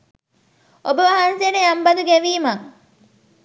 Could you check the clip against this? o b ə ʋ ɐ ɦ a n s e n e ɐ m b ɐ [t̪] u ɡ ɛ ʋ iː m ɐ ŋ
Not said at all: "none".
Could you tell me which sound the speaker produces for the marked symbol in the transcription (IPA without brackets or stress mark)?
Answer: d̪